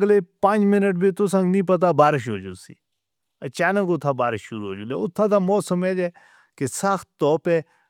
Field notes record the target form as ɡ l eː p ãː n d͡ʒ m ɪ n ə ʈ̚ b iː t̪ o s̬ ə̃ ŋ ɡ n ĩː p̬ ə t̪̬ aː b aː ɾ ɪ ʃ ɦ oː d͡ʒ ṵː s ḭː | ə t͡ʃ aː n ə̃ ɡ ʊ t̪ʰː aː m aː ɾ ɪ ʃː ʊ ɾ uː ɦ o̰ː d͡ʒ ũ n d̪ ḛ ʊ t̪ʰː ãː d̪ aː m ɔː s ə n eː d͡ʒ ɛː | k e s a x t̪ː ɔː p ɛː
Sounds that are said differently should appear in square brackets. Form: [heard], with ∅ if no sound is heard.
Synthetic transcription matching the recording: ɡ l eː p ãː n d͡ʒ m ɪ n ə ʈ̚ b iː t̪ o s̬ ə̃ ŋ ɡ n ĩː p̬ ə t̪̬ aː b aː ɾ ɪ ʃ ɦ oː d͡ʒ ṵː s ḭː | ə t͡ʃ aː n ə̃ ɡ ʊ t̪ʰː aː [b] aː ɾ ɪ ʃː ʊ ɾ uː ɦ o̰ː d͡ʒ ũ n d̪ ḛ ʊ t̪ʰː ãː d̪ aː m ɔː s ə [m] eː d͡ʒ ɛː | k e s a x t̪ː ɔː p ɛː